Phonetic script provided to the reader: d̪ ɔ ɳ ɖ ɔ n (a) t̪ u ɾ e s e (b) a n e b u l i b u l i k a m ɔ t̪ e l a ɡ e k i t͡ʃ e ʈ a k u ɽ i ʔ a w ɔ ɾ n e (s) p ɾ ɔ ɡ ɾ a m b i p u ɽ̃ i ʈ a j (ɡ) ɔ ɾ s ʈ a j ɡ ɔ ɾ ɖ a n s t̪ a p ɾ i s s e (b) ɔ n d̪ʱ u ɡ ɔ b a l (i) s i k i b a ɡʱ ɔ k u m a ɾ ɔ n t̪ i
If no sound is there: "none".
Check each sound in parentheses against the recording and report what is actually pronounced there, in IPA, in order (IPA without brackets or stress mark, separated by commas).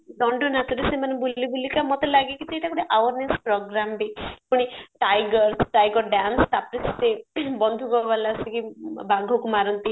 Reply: a, m, s, ɡ, b, a